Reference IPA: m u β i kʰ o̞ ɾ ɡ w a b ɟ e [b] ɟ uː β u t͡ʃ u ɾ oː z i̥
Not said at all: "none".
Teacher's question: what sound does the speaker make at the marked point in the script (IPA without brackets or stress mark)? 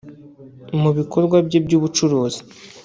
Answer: b